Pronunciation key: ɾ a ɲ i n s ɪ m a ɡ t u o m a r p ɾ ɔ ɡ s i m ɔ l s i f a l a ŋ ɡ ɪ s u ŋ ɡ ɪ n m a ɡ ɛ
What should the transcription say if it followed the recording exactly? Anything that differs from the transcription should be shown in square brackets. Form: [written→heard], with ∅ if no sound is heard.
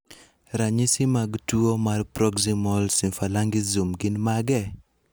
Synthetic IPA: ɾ a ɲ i [n→∅] s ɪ m a ɡ t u o m a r p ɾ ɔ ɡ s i m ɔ l s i f a l a ŋ ɡ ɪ [s→z] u [ŋ→m] ɡ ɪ n m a ɡ ɛ

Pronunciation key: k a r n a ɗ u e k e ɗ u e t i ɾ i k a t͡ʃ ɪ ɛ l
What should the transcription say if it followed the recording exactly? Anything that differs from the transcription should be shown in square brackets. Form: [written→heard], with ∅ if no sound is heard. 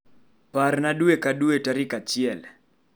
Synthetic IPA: [k→p] a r n a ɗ u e k [e→a] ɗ u e t [i→a] ɾ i k a t͡ʃ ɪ ɛ l

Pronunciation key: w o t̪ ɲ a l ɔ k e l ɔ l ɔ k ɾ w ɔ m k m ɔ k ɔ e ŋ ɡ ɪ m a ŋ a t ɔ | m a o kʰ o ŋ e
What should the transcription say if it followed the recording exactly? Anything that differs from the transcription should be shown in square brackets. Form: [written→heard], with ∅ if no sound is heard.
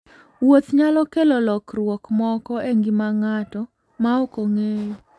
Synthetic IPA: w o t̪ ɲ a l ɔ k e l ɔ l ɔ k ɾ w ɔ [m→∅] k m ɔ k ɔ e ŋ ɡ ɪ m a ŋ a t ɔ | m a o [kʰ→k] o ŋ e

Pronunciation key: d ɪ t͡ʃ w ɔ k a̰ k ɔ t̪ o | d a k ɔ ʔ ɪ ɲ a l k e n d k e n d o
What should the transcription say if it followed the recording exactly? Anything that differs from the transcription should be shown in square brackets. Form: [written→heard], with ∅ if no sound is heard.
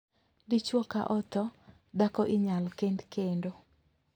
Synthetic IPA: d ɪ t͡ʃ w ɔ k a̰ [k→ʔ] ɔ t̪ [o→ɔ] | d a k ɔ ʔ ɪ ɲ a l k e n d k e n d o

